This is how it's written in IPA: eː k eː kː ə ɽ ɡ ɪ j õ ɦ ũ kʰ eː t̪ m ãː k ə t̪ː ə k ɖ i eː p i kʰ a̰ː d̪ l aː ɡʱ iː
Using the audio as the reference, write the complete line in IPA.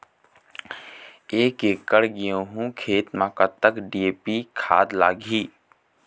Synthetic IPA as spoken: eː k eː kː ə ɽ ɡ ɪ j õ ɦ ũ kʰ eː t̪ m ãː k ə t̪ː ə k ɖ i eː p i kʰ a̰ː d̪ l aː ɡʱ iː